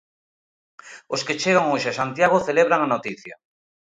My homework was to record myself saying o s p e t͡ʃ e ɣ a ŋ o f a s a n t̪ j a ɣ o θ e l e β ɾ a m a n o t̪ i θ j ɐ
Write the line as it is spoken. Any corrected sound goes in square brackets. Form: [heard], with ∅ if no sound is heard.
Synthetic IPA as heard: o s [k] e t͡ʃ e ɣ a ŋ o [ʃ] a s a n t̪ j a ɣ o θ e l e β ɾ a [ŋ] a n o t̪ i θ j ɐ

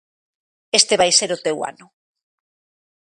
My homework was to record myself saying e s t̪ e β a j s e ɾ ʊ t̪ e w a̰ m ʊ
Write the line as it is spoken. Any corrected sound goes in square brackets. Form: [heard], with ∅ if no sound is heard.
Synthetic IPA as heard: e s t̪ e β a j s e ɾ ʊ t̪ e w a̰ [n] ʊ

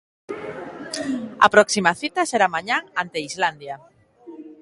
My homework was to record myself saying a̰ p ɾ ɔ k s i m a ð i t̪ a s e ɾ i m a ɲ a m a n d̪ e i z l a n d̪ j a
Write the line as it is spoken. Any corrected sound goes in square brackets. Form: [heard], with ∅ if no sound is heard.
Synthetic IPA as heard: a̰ p ɾ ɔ k s i m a [θ] i t̪ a s e ɾ [a] m a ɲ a [ŋ] a n [t̪] e i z l a n d̪ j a

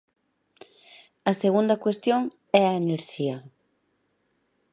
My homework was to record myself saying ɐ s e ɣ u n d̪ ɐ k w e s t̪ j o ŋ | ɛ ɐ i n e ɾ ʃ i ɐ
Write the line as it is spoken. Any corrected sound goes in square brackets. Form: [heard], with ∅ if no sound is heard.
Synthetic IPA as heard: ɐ s e ɣ u n d̪ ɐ k w e s t̪ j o ŋ | ɛ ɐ [e] n e ɾ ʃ i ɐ

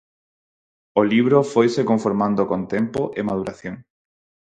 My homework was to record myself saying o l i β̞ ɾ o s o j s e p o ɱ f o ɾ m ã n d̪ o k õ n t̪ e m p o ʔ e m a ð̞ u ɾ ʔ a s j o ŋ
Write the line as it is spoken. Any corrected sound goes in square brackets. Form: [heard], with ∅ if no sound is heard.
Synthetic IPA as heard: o l i β̞ ɾ o [f] o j s e [k] o ɱ f o ɾ m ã n d̪ o k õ n t̪ e m p o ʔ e m a ð̞ u ɾ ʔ a [θ] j o ŋ

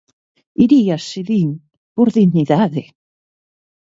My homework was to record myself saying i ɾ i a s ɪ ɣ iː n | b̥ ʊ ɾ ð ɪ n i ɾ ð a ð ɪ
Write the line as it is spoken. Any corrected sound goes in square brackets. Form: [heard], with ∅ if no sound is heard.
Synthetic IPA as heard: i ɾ i a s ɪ [ð] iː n | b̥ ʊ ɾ ð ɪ n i [∅] ð a ð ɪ

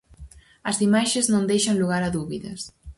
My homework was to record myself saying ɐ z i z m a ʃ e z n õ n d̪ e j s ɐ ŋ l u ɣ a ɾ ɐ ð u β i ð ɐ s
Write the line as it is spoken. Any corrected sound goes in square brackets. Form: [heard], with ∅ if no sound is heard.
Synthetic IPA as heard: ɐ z i [∅] m a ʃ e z n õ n d̪ e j [ʃ] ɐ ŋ l u ɣ a ɾ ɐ ð u β i ð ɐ s

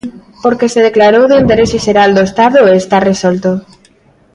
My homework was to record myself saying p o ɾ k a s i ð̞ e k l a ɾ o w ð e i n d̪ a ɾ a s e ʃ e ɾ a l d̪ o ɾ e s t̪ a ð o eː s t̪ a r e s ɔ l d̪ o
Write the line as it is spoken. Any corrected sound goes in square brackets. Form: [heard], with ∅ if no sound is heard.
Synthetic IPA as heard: p o ɾ k [e] s [e] ð̞ e k l a ɾ o w ð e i n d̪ [e] ɾ [e] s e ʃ e ɾ a l d̪ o [∅] e s t̪ a ð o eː s t̪ a r e s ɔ l [t̪] o

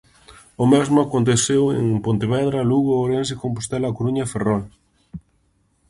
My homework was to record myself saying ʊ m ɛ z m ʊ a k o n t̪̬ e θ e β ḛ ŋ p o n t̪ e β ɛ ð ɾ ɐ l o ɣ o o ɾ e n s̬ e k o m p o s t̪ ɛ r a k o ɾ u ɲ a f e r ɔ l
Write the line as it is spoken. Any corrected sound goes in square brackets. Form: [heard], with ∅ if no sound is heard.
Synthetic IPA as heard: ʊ m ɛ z m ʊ a k o n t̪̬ e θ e [w] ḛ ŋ p o n t̪ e β ɛ ð ɾ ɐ l [u] ɣ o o ɾ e n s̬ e k o m p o s t̪ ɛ [l] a k o ɾ u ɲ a f e r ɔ l

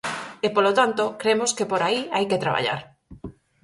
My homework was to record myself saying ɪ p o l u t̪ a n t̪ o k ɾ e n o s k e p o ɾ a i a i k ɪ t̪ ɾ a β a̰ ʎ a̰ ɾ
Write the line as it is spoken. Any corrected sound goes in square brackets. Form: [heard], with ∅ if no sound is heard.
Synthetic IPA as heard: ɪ p o l [o] t̪ a n t̪ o k ɾ e [m] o s k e p o ɾ a i a [j] k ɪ t̪ ɾ a β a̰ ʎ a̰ ɾ

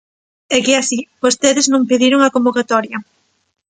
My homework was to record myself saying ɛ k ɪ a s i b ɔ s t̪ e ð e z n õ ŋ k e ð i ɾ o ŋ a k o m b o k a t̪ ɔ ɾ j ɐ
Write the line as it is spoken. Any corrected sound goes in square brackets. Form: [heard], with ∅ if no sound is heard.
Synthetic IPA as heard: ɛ k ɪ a s i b [o] s t̪ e ð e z n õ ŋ [p] e ð i ɾ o ŋ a k o m b o k a t̪ ɔ ɾ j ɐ

